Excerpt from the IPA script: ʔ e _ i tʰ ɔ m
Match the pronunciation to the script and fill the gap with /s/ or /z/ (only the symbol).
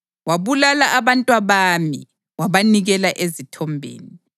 z